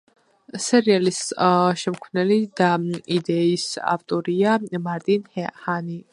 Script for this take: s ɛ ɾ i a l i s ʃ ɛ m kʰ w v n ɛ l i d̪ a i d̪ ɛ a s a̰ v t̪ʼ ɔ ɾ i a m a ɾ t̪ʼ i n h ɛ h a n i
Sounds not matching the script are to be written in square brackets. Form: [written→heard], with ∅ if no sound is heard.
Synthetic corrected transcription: s ɛ ɾ i a l i s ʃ ɛ m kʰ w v n ɛ l i d̪ a i d̪ ɛ [a→i] s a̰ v t̪ʼ ɔ ɾ i a m a ɾ t̪ʼ i n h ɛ h a n i